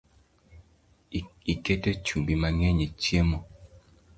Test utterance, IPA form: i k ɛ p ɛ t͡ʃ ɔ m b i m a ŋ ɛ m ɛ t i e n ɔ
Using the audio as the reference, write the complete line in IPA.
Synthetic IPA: i k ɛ t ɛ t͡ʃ u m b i m a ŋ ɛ ɲ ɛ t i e m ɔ